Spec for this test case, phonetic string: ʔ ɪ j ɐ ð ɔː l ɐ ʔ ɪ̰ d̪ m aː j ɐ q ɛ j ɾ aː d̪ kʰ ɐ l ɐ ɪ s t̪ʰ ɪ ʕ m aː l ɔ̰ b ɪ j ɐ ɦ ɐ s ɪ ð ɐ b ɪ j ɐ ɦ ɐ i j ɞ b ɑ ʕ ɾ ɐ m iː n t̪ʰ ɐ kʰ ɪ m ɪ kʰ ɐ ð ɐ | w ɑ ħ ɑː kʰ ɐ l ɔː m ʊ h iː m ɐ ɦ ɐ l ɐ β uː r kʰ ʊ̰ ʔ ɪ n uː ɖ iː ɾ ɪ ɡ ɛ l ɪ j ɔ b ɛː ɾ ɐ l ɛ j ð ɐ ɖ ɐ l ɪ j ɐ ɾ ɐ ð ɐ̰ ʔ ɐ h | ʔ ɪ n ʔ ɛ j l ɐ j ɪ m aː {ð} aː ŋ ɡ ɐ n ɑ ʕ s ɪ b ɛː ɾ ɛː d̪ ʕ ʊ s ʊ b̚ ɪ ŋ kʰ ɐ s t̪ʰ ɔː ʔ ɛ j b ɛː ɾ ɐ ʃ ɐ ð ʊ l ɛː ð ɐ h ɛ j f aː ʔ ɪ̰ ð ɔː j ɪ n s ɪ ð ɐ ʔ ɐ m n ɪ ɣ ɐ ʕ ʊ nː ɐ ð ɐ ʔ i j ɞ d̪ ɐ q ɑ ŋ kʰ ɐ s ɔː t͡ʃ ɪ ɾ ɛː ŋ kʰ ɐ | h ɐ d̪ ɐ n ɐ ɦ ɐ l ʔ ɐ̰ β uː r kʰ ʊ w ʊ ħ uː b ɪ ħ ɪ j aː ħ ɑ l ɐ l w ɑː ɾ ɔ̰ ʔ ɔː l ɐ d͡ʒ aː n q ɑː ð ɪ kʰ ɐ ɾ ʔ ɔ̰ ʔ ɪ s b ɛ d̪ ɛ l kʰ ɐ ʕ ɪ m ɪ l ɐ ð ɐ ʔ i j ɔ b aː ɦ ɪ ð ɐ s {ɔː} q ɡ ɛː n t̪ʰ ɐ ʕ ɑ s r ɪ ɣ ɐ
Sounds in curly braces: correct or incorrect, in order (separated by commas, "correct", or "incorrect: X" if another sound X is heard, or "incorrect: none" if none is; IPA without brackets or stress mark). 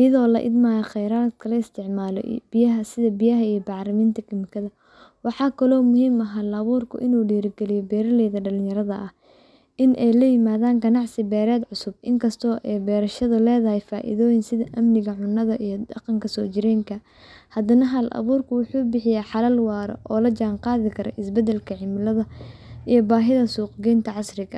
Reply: correct, incorrect: uː